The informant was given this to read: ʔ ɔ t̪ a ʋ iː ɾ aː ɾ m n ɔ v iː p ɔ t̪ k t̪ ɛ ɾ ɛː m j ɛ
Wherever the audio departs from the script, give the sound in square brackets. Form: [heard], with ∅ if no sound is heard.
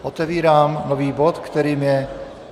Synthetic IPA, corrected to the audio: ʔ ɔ t̪ [ɛ] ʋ iː ɾ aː [∅] m n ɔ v iː [b] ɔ t̪ k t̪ ɛ ɾ [iː] m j ɛ

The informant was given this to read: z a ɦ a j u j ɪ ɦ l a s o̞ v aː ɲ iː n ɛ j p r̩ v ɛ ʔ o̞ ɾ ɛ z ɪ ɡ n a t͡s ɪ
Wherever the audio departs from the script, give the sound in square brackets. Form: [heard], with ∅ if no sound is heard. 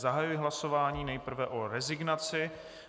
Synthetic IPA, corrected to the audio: z a ɦ a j u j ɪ ɦ l a s o̞ v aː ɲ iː n ɛ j p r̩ v ɛ ʔ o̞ ɾ ɛ z ɪ ɡ n a t͡s ɪ

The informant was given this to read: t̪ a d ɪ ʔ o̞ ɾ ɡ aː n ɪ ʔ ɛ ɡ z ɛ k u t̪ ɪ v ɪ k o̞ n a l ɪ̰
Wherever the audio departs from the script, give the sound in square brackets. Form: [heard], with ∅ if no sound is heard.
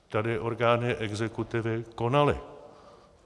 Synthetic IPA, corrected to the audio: t̪ a d ɪ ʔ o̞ ɾ ɡ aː n ɪ ʔ ɛ ɡ z ɛ k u t̪ ɪ v ɪ k o̞ n a l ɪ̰

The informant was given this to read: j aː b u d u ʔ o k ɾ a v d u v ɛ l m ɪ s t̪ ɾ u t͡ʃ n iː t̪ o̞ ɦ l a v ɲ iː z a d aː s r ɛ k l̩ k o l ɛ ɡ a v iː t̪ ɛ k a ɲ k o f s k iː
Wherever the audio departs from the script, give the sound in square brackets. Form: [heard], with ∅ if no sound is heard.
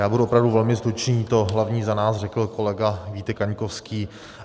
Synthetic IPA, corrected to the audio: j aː b u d u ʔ o [p] ɾ a v d u v ɛ l m ɪ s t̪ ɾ u t͡ʃ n iː t̪ o̞ ɦ l a v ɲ iː z a [n] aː s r ɛ k l̩ k o l ɛ ɡ a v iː t̪ ɛ k a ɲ k o f s k iː

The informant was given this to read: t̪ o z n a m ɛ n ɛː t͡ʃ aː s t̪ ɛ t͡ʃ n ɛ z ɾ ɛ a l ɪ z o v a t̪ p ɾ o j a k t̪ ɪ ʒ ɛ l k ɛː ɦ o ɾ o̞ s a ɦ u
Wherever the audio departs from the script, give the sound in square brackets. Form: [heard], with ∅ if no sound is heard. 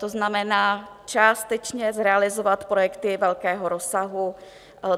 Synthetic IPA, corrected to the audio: t̪ o z n a m ɛ n [aː] t͡ʃ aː s t̪ ɛ t͡ʃ [ɲ] ɛ z ɾ ɛ a l ɪ z o v a t̪ p ɾ o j [ɛ] k t̪ ɪ [v] ɛ l k ɛː ɦ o ɾ o̞ s a ɦ u

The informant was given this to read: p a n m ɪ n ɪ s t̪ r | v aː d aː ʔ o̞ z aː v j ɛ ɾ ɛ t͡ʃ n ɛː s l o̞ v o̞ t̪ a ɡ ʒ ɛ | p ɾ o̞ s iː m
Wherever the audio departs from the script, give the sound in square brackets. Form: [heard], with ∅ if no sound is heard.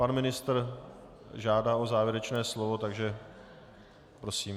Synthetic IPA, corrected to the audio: p a n m ɪ n ɪ s t̪ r | [ʒ] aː d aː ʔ o̞ z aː v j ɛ ɾ ɛ t͡ʃ n ɛː s l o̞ v o̞ t̪ a ɡ ʒ ɛ | p ɾ o̞ s iː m

